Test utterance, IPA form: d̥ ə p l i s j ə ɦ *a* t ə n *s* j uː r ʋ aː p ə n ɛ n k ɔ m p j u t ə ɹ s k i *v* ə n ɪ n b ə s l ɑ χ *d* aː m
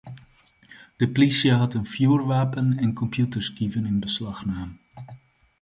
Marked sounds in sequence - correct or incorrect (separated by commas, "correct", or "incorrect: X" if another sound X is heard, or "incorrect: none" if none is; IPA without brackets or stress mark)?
incorrect: ɑ, incorrect: f, correct, incorrect: n